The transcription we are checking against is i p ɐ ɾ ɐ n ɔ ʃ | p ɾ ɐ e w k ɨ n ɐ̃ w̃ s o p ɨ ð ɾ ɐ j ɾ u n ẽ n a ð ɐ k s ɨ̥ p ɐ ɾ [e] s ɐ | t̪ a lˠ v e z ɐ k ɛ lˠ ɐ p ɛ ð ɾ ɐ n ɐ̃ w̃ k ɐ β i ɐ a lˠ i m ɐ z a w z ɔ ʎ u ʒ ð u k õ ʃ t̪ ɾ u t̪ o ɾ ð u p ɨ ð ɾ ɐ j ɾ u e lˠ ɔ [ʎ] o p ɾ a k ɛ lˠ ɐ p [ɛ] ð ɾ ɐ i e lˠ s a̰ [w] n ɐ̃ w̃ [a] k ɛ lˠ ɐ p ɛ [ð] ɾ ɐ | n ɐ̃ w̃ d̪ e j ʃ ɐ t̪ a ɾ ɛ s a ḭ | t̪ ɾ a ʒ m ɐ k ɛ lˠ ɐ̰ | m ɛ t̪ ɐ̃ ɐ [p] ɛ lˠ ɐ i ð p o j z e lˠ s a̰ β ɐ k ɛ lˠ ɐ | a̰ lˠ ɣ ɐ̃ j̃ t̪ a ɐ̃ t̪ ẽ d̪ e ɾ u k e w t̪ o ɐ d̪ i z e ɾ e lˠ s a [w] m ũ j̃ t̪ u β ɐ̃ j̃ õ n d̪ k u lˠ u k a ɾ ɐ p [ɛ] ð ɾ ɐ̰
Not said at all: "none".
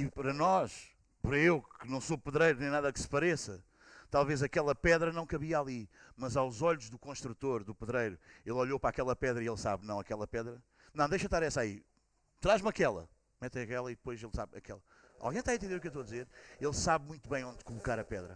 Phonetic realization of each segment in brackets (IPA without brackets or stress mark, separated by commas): e, ʎ, ɛ, β, ɐ, ð, k, β, ɛ